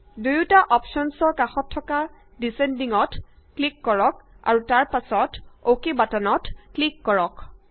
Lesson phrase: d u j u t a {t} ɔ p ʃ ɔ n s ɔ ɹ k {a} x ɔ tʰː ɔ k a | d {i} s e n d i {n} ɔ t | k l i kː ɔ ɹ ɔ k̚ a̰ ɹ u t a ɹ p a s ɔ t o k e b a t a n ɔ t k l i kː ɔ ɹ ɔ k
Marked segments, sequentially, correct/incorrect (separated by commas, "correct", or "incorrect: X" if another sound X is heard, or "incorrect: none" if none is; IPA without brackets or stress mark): incorrect: ʔ, correct, correct, incorrect: ŋ